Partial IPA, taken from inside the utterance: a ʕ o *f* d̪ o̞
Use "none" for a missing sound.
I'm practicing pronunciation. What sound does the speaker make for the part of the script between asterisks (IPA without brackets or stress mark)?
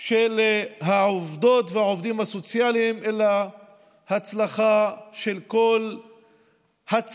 v